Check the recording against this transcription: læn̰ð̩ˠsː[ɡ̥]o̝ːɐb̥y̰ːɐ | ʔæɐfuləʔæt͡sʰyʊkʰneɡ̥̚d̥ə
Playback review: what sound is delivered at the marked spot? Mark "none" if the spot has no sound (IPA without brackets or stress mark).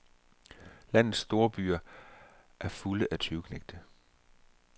d̥